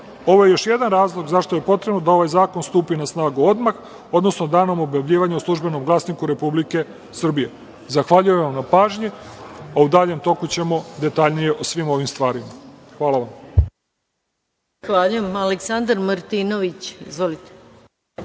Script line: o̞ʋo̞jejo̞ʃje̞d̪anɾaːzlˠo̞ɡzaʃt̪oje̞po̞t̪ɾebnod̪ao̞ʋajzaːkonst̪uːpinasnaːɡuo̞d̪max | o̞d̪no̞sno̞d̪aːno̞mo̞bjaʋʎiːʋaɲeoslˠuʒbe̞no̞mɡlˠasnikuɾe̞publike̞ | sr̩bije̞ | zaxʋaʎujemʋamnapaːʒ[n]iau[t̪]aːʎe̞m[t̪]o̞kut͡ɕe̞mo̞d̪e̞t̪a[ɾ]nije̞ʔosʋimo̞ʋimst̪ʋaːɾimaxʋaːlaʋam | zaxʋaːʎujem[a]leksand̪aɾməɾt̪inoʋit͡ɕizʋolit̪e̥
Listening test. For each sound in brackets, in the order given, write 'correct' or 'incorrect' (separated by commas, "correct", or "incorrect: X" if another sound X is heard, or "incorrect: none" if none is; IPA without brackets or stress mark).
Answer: incorrect: ɲ, incorrect: d̪, correct, incorrect: ʎ, correct